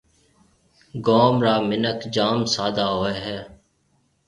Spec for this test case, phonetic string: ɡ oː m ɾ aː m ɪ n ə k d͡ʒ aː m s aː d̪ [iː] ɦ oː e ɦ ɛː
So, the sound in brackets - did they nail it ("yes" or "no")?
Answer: no